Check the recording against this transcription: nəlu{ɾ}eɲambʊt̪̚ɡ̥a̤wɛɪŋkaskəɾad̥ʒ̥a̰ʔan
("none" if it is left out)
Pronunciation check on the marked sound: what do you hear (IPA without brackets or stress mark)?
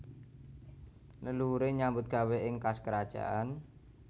ɾ